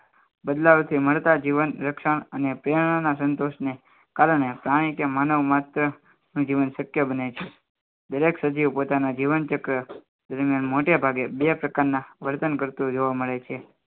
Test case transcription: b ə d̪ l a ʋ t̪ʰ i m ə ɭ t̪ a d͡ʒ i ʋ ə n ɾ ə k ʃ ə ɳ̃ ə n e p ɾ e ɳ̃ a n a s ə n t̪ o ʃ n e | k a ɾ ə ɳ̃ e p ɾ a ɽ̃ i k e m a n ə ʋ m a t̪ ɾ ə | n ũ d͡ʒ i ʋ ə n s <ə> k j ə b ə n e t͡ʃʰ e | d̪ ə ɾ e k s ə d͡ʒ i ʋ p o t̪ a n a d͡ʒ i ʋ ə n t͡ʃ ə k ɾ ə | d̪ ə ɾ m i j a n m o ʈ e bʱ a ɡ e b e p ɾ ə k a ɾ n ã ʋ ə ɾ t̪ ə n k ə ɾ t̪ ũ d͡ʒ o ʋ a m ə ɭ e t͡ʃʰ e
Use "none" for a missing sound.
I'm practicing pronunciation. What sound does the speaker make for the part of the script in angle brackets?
ə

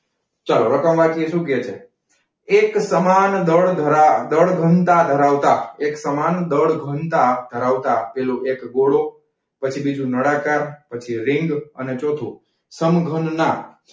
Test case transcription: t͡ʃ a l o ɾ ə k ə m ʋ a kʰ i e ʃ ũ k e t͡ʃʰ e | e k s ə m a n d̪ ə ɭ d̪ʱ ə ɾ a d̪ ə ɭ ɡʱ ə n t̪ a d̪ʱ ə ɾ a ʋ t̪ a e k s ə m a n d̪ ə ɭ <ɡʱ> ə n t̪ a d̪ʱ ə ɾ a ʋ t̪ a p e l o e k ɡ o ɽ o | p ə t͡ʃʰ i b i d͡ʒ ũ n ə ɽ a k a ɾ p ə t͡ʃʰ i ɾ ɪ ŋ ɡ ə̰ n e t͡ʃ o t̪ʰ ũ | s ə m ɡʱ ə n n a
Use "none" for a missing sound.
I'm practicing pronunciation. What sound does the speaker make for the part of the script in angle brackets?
ɡʱ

